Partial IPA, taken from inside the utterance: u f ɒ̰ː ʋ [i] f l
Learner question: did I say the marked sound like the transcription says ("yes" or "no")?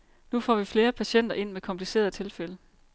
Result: yes